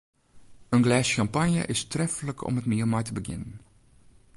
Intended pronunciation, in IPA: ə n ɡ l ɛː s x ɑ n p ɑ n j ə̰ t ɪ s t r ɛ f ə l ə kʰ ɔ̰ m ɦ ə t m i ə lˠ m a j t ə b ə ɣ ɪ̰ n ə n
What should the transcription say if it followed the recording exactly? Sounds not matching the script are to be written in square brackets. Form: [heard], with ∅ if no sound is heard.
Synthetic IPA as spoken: ə n ɡ l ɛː s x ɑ [m] p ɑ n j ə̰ [ʔ] ɪ s t r ɛ f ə l ə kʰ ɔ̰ m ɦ ə t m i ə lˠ m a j t ə b ə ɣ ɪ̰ n ə n